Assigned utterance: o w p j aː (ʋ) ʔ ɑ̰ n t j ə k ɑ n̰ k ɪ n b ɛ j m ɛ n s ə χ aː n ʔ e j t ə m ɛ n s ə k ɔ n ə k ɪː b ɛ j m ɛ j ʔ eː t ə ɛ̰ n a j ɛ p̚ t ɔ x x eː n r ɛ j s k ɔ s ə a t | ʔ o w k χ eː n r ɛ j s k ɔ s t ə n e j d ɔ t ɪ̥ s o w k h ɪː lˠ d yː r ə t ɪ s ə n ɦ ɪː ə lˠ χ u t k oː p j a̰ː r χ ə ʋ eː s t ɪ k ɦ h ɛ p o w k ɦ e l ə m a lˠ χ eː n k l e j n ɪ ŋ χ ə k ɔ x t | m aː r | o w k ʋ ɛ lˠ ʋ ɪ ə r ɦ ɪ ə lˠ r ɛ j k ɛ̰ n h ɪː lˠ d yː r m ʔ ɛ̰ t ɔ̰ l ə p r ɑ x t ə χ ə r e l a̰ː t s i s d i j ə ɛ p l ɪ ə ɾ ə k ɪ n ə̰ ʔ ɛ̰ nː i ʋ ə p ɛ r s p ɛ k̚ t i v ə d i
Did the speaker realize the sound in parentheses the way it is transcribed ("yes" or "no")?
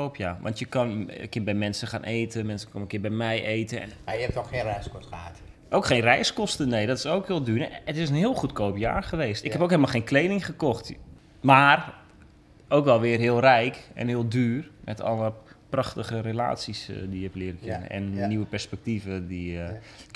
yes